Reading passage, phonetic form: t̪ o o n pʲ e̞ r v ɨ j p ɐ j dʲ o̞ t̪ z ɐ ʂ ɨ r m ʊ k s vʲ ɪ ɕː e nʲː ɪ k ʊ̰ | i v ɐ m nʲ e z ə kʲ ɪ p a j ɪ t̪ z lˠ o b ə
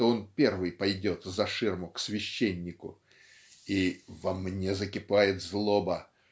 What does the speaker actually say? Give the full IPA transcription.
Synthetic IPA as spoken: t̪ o o n pʲ e̞ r v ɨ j p ɐ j dʲ o̞ t̪ z ɐ ʂ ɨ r m ʊ k s vʲ ɪ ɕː e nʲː ɪ k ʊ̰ | i v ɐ m nʲ e z ə kʲ ɪ p a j ɪ t̪ z lˠ o b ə